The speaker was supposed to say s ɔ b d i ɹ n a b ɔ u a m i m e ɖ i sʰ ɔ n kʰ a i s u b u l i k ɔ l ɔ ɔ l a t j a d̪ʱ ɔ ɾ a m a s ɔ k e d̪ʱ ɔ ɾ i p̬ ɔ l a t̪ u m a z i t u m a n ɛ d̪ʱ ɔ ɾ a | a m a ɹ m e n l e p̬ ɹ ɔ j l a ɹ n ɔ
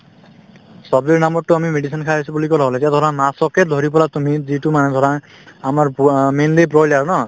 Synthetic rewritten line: s ɔ b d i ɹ n a m ɔ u a m i m e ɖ i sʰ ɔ n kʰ a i s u b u l i k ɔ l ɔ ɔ l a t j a d̪ʱ ɔ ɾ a m a s ɔ k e d̪ʱ ɔ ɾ i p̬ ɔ l a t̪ u m i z i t u m a n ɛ d̪ʱ ɔ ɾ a | a m a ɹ m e n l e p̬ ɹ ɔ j l a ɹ n ɔ